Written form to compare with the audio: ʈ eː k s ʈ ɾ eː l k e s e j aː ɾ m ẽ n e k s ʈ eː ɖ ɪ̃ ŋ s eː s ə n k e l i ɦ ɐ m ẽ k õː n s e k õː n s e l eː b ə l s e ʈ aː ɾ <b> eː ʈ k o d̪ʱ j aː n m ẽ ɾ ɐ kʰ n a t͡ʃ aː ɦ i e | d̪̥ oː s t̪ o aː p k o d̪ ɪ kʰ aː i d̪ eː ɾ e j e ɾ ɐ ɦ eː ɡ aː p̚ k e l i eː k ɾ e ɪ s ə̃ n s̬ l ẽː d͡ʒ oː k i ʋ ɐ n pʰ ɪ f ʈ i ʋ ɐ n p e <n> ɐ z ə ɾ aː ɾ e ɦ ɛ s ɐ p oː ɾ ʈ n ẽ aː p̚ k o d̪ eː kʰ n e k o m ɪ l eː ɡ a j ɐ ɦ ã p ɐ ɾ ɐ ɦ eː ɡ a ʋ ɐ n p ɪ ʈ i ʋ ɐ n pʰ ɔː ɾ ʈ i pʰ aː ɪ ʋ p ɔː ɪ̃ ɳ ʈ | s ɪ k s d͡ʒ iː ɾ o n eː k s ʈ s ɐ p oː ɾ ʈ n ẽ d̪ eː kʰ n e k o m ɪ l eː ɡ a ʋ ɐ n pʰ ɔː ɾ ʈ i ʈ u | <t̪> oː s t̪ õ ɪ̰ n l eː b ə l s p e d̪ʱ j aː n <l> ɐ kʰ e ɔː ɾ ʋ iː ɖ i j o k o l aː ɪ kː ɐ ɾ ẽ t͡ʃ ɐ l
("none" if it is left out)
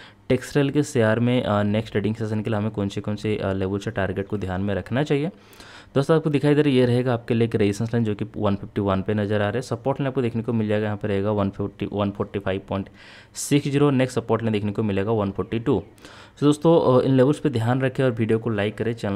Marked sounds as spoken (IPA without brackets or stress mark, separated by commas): ɡ, n, d̪, ɾ